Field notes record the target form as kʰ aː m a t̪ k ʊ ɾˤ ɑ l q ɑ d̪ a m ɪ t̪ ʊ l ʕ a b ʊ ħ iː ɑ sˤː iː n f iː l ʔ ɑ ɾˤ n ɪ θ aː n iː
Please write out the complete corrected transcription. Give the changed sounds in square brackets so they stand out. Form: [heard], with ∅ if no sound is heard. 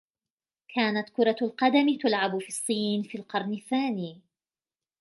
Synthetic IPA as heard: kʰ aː [n] a t̪ k ʊ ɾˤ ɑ l q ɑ d̪ a m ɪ t̪ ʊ l ʕ a b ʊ [f] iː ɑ sˤː iː n f iː l [q] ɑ ɾˤ n ɪ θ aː n iː